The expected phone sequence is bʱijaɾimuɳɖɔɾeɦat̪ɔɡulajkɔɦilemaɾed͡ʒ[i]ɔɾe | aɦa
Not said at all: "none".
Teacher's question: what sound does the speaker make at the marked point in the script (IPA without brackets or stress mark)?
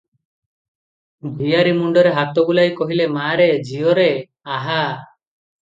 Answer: i